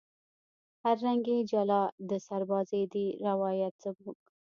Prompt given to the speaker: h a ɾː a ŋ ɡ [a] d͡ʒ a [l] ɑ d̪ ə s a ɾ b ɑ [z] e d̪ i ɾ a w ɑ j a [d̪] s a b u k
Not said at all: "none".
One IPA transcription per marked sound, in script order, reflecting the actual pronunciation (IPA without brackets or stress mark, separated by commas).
e, l, z, t̪